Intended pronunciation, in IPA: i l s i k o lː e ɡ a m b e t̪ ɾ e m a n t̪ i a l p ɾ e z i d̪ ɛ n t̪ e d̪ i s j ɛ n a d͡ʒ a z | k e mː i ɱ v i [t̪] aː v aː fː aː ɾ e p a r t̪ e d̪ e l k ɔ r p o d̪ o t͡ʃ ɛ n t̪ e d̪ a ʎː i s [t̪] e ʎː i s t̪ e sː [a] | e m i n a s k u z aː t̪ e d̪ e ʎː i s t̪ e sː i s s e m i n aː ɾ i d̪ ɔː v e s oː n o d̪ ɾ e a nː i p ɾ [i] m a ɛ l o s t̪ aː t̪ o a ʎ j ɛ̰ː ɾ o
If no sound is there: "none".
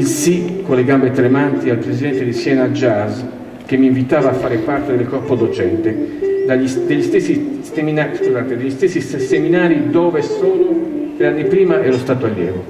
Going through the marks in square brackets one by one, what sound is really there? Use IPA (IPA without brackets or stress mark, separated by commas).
t̪, d̪, i, iː